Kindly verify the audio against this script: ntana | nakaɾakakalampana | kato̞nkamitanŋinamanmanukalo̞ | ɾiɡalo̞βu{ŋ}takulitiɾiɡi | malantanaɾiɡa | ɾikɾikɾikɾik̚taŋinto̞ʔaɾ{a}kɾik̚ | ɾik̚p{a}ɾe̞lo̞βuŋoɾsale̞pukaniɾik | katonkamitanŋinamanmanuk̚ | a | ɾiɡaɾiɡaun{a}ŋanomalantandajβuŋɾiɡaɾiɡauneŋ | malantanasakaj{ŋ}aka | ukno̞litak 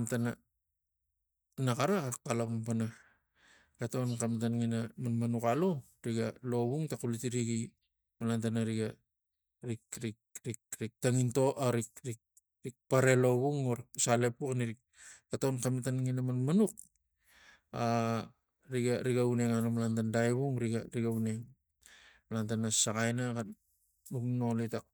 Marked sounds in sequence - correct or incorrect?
correct, incorrect: i, correct, incorrect: e, incorrect: n

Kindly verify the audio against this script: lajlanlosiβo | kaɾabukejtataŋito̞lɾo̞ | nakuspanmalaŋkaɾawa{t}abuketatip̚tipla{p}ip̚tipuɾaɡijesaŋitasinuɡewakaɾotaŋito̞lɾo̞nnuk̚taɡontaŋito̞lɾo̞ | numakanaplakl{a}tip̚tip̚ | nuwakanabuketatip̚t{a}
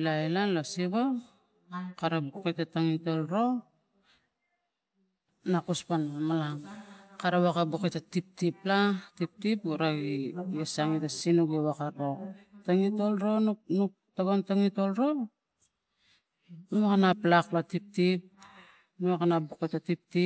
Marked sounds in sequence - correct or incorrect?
incorrect: k, incorrect: t, correct, incorrect: i

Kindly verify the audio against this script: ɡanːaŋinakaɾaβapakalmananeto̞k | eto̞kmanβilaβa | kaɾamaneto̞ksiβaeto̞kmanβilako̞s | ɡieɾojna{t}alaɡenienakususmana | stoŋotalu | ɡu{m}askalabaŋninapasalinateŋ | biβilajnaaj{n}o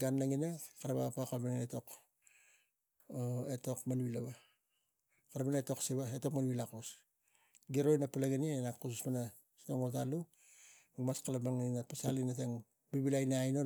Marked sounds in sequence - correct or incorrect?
incorrect: p, correct, correct

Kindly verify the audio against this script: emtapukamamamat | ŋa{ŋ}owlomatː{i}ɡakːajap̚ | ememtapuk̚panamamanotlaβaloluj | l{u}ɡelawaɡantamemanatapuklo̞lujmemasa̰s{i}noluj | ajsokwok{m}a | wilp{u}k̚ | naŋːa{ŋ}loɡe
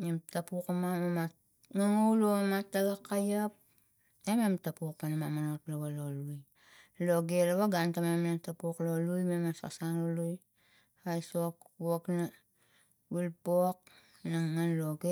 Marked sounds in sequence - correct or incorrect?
correct, incorrect: a, incorrect: o, incorrect: a, incorrect: n, incorrect: o, incorrect: n

